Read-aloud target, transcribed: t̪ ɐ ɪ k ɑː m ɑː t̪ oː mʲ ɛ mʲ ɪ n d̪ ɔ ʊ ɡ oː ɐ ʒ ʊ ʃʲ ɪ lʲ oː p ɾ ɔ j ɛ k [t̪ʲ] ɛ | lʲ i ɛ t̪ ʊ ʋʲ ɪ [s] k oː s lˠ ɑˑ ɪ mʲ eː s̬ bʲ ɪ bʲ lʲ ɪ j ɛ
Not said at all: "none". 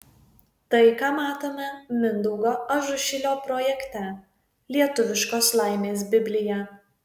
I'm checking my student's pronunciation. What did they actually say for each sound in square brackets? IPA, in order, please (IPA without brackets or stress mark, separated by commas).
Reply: t̪ʲ, ʃ